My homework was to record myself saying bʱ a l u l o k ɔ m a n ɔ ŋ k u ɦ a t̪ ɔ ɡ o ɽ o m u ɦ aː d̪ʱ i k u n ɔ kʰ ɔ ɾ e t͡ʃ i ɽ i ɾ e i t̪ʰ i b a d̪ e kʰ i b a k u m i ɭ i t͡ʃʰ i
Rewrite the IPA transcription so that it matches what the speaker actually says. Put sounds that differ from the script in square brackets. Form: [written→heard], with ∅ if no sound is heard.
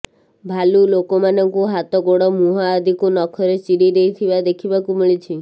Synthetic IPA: bʱ a l u l o k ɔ m a n ɔ ŋ k u ɦ a t̪ ɔ ɡ o ɽ [o→ɔ] m u ɦ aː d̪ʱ i k u n ɔ kʰ ɔ ɾ e t͡ʃ i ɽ i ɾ e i t̪ʰ i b a d̪ e kʰ i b a k u m i ɭ i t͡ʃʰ i